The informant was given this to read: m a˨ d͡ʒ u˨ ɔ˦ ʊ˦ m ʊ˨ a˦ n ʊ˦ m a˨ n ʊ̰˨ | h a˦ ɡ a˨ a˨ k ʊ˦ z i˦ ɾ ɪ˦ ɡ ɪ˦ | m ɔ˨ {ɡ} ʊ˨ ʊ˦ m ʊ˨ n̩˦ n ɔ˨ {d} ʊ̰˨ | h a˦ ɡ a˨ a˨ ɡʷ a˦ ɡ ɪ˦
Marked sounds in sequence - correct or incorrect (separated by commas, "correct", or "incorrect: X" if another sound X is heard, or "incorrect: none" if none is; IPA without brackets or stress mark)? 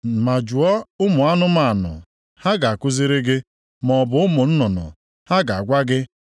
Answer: incorrect: b, incorrect: n